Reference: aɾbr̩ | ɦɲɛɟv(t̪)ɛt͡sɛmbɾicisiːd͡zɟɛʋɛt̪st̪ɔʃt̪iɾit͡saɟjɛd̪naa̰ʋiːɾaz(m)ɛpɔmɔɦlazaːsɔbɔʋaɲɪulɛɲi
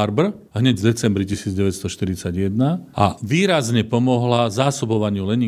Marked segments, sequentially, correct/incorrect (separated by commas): incorrect, incorrect